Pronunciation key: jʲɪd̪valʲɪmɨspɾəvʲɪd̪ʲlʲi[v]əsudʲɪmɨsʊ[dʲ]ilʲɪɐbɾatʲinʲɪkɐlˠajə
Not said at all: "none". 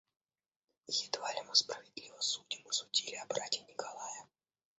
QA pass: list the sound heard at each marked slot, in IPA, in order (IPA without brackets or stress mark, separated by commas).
v, dʲ